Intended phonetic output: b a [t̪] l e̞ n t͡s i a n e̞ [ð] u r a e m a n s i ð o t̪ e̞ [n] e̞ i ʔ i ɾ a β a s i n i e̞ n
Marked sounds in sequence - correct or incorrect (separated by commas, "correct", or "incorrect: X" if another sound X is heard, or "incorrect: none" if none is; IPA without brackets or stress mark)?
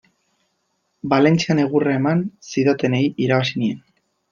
incorrect: none, incorrect: ɣ, correct